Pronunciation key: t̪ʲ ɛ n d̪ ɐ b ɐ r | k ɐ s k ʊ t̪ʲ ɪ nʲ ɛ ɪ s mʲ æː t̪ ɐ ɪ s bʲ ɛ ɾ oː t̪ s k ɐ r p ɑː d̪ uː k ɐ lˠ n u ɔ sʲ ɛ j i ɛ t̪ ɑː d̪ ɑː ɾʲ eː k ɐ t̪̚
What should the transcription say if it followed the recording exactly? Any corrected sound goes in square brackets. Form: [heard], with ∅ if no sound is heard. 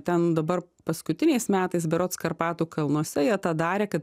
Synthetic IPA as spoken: t̪ʲ ɛ n d̪ ɐ b ɐ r | [p] ɐ s k ʊ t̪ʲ ɪ nʲ ɛ ɪ s mʲ æː t̪ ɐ ɪ s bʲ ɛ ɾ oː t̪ s k ɐ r p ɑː [t̪] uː k ɐ lˠ n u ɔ sʲ ɛ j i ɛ t̪ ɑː d̪ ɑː ɾʲ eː k ɐ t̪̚